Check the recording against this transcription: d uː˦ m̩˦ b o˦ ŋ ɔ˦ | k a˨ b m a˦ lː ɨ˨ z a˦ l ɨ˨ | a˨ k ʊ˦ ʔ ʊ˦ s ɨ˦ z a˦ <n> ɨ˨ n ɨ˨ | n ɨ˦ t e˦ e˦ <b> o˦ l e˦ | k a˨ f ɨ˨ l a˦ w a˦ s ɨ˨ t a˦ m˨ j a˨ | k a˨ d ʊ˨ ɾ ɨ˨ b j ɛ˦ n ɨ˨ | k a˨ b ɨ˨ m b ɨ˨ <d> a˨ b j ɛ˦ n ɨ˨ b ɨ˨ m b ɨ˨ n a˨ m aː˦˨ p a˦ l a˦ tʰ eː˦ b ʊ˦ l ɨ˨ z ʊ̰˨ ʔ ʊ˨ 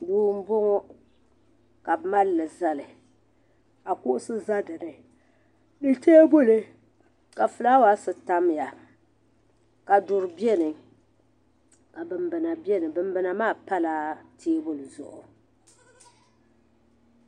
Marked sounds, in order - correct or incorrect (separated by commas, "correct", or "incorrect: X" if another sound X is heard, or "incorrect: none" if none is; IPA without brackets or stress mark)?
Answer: incorrect: d, correct, incorrect: n